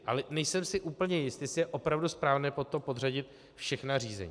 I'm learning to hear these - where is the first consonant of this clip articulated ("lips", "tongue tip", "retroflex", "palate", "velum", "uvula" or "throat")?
throat